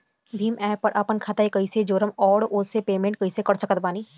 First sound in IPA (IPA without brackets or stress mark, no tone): bʱ